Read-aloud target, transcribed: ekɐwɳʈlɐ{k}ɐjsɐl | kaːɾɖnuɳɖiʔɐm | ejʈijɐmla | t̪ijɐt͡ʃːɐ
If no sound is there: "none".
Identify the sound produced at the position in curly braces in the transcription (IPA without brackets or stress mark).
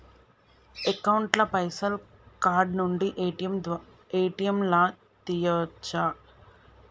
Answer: p